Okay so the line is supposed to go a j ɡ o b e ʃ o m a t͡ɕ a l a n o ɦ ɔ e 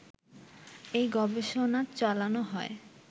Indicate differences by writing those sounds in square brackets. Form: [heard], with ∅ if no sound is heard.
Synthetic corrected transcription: [e] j ɡ [ɔ] b e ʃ o [n] a t͡ɕ a l a n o ɦ ɔ e